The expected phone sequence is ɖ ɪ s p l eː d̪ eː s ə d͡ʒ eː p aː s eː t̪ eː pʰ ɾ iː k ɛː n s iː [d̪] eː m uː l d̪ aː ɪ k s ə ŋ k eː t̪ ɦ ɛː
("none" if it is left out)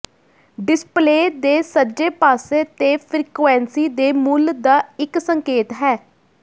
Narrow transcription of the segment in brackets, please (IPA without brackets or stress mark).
d̪